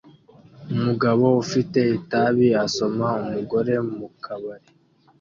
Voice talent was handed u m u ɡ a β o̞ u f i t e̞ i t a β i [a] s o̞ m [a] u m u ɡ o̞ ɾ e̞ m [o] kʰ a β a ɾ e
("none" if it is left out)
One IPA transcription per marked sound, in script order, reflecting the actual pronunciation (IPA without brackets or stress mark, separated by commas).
a, a, u